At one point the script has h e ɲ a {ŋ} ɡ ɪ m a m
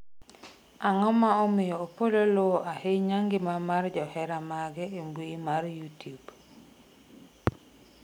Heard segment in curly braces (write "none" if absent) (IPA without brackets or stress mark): ŋ